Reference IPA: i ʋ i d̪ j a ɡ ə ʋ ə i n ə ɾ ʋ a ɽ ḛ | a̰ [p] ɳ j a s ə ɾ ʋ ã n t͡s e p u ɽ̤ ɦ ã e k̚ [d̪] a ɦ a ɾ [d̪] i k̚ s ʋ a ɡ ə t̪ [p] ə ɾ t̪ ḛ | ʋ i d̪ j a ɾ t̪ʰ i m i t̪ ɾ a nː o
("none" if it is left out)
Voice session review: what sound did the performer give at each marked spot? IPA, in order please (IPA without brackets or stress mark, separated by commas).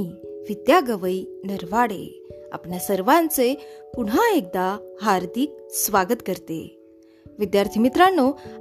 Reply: p, d̪, d̪, k